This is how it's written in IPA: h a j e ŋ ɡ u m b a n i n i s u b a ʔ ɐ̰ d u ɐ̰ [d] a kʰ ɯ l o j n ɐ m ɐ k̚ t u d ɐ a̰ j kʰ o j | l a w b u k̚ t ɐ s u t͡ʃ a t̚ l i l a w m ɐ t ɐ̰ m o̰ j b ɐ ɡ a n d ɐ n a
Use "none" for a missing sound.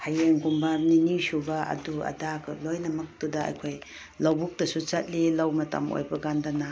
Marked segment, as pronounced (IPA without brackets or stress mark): d